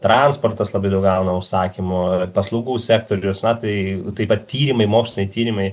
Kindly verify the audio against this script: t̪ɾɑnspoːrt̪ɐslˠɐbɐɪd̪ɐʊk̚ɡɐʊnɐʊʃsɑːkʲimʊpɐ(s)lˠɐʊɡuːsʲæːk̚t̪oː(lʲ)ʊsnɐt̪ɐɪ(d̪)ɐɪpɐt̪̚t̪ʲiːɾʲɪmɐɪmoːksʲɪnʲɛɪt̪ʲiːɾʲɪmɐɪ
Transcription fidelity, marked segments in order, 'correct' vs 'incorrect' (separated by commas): correct, incorrect, incorrect